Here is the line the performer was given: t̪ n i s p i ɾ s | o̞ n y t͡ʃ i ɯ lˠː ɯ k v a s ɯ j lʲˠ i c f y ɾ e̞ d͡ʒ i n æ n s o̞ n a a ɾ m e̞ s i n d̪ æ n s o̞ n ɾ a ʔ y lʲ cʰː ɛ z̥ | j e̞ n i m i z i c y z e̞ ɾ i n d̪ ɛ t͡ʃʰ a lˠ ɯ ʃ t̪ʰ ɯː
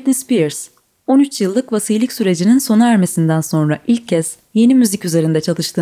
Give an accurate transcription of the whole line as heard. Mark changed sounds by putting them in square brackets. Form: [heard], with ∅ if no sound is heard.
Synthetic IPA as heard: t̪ n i s p i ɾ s | o̞ n y t͡ʃ [j] ɯ lˠː ɯ k v a s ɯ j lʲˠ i c [s] y ɾ e̞ d͡ʒ i n [i] n s o̞ n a [æ] ɾ m e̞ s i n d̪ æ n s o̞ n ɾ a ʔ [i] lʲ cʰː ɛ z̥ | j e̞ n i m [y] z i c y z e̞ ɾ i n d̪ ɛ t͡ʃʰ a lˠ ɯ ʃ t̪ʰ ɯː